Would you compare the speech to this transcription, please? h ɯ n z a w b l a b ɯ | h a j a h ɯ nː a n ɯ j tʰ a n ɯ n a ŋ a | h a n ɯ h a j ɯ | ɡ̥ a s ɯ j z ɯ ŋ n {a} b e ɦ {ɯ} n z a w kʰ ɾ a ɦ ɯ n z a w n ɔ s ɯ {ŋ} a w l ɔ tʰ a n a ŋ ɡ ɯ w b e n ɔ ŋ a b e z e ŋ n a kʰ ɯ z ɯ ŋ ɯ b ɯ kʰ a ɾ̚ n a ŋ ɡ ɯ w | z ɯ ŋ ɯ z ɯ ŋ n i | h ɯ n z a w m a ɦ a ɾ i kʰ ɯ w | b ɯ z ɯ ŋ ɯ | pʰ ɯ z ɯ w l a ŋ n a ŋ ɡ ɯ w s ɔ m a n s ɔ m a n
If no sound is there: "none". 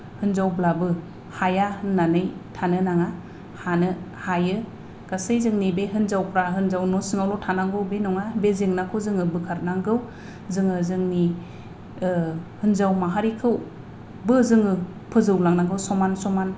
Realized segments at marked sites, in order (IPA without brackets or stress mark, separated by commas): i, ɯ, ŋ